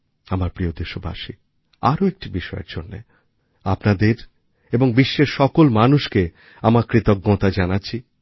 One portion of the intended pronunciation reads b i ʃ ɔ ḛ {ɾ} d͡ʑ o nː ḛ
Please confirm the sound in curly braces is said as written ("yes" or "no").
yes